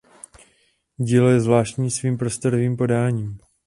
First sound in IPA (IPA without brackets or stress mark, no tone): ɟ